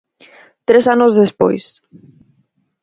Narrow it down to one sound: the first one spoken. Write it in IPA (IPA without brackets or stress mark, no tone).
t̪